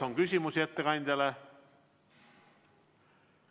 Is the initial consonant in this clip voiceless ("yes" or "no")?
no